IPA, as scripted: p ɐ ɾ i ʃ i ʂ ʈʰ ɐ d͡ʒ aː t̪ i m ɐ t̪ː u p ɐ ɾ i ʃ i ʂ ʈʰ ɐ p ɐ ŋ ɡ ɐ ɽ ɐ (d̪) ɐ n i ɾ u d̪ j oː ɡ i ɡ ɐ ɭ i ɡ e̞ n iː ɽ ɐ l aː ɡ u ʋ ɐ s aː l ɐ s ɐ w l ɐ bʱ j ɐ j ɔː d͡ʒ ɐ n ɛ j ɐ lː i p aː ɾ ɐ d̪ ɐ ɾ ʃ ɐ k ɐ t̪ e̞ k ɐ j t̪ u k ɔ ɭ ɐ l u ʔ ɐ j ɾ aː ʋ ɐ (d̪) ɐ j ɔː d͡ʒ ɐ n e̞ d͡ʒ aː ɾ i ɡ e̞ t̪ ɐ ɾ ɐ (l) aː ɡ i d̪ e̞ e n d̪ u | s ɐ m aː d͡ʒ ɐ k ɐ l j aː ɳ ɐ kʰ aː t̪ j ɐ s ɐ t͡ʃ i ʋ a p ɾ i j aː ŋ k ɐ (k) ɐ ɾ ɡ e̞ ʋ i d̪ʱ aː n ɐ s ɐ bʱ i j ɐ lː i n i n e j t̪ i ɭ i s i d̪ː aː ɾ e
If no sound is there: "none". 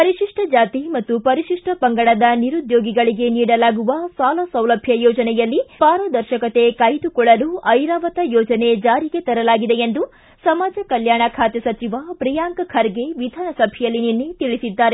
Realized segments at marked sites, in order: d̪, t̪, l, kʰ

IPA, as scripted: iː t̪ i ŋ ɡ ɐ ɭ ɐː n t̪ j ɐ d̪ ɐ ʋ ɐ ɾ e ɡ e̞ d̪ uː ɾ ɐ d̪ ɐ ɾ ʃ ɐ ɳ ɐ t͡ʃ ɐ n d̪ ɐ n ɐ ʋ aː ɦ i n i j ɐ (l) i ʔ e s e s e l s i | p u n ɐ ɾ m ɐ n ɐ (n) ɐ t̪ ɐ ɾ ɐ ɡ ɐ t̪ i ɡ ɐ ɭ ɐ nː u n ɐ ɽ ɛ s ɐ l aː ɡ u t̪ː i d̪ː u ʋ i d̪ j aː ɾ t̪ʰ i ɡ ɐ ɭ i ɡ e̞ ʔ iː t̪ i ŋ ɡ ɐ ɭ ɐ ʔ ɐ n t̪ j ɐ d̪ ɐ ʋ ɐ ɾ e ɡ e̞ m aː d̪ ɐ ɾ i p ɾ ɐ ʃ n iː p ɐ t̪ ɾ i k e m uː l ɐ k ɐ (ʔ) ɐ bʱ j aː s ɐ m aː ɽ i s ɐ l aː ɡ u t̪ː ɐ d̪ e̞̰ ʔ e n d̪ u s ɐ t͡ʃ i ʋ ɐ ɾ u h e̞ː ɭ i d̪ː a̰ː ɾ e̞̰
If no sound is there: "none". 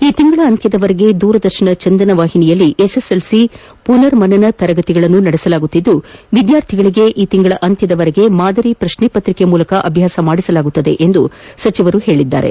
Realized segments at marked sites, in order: lː, n, ʔ

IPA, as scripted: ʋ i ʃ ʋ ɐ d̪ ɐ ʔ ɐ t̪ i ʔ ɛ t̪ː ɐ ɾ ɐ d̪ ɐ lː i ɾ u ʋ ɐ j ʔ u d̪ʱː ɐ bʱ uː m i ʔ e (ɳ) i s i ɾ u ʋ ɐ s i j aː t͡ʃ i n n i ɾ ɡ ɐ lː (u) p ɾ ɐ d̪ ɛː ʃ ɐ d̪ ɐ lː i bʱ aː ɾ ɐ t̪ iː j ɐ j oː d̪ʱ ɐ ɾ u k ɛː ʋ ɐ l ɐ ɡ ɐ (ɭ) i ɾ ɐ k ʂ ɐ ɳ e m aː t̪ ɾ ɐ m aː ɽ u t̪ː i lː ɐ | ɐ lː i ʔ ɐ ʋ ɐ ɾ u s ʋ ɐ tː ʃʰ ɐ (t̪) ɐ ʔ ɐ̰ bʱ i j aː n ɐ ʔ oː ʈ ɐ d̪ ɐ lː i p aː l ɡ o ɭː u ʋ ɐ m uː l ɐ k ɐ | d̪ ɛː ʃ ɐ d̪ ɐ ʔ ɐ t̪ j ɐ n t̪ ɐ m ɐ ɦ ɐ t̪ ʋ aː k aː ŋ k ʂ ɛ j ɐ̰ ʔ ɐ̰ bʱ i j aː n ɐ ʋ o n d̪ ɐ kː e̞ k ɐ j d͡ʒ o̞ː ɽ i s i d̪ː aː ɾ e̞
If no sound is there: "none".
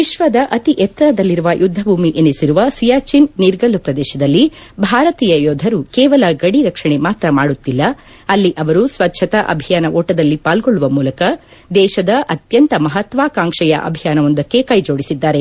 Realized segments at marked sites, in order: n, u, ɽ, t̪

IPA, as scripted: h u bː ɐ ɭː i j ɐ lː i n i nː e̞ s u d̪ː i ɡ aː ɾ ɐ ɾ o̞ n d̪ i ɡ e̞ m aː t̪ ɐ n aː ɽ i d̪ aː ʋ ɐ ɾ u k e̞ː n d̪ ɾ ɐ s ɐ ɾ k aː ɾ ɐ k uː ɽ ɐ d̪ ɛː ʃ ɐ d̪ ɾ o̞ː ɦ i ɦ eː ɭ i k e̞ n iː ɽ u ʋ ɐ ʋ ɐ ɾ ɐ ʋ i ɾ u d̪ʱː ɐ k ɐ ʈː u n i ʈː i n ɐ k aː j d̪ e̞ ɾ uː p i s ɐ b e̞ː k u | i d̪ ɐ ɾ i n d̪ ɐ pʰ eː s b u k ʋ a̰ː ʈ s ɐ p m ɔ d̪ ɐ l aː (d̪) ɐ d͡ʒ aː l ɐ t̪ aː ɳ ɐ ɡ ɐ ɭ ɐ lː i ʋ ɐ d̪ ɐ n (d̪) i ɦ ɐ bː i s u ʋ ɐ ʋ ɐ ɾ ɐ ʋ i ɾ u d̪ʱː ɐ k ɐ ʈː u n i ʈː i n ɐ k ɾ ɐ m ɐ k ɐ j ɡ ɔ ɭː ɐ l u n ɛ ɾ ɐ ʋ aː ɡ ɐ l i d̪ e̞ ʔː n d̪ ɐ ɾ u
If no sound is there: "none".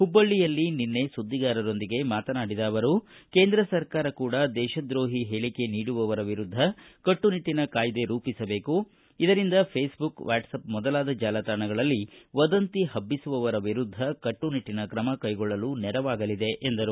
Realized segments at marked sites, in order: d̪, t̪

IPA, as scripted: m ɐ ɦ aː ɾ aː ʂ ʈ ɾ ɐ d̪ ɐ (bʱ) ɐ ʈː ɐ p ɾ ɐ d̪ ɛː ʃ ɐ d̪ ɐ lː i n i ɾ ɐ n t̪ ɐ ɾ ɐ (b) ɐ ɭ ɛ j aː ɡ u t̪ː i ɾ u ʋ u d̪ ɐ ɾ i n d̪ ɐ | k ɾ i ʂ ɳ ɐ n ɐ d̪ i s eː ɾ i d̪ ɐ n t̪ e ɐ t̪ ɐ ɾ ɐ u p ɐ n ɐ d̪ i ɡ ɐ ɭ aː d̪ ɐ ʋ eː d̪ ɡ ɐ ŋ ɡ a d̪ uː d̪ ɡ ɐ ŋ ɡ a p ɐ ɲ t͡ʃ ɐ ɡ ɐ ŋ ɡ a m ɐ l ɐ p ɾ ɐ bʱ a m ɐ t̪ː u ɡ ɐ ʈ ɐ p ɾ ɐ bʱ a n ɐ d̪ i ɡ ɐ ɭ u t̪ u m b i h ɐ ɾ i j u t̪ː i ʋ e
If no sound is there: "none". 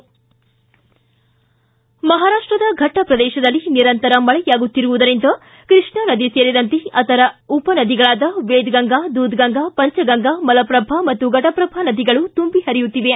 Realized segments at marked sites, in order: ɡʱ, m

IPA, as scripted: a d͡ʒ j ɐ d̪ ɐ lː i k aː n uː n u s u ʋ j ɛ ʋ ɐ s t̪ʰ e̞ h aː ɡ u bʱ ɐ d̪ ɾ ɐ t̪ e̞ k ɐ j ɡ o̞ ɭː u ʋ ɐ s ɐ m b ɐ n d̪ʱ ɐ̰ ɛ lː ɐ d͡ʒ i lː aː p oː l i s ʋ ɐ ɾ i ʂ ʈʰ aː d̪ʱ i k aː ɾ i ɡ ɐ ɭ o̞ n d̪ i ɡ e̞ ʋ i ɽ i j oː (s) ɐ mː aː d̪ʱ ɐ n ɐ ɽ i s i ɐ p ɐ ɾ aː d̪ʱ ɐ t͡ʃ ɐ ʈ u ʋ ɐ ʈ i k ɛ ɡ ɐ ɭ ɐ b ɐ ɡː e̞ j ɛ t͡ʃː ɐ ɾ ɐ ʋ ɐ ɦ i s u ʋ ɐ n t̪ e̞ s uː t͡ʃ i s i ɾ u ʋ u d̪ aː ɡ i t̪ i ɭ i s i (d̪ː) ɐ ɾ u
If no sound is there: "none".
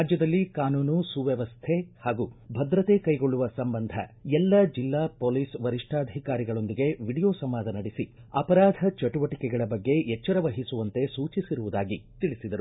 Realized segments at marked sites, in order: s, d̪

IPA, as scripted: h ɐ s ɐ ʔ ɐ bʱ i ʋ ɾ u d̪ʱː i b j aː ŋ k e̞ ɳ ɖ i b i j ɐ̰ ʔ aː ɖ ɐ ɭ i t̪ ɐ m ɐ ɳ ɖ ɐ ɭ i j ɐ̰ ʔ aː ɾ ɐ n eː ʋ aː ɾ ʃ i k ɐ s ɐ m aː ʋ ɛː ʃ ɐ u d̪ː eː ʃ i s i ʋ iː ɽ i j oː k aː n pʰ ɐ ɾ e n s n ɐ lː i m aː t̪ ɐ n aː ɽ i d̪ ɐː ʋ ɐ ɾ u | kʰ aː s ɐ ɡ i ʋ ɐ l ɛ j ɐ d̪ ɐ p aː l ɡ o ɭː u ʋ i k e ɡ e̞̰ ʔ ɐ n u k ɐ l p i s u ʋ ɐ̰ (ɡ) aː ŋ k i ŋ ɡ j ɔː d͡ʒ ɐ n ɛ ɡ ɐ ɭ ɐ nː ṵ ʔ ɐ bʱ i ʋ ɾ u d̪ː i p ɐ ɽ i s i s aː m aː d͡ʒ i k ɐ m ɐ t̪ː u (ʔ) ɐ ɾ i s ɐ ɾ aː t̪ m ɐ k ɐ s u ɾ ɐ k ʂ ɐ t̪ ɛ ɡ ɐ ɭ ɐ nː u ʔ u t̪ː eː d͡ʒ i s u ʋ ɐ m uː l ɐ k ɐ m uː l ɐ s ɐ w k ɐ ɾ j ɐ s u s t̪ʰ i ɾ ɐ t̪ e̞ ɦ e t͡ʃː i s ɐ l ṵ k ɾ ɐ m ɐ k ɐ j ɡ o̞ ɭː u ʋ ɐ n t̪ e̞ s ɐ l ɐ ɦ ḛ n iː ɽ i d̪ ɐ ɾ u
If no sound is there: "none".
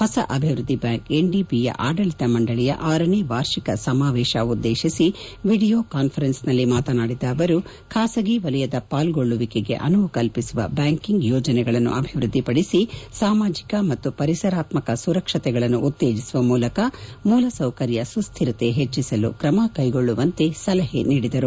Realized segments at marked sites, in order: b, p

